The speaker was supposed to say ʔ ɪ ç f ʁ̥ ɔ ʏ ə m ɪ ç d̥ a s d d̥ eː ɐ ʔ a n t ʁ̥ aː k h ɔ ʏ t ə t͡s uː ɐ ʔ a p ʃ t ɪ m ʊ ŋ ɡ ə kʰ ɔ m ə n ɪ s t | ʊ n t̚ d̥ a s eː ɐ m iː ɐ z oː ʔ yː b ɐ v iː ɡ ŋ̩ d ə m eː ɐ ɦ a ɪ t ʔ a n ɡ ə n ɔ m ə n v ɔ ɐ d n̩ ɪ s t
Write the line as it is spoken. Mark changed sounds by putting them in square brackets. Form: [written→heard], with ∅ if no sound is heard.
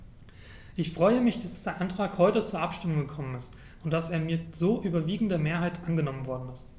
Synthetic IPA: ʔ ɪ ç f ʁ̥ ɔ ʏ ə m ɪ ç d̥ a s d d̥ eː ɐ ʔ a n t ʁ̥ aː k h ɔ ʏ t ə t͡s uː ɐ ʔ a p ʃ t ɪ m ʊ ŋ ɡ ə kʰ ɔ m ə n ɪ s t | ʊ n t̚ d̥ a s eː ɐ m iː ɐ z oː ʔ yː b ɐ v iː ɡ ŋ̩ d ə m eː ɐ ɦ a ɪ t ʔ a n ɡ ə n ɔ m ə n v ɔ ɐ d n̩ ɪ s t